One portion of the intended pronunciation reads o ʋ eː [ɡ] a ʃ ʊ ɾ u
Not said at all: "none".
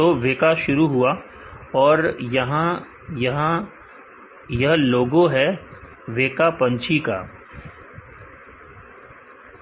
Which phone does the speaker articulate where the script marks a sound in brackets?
k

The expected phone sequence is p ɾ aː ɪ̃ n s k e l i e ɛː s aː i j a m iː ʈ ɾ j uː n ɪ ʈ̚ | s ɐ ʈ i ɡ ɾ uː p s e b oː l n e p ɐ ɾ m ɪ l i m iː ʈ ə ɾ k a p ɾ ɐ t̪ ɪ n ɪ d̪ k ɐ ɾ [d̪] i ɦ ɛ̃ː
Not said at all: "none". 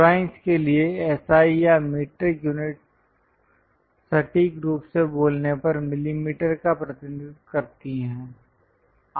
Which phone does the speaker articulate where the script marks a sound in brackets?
t̪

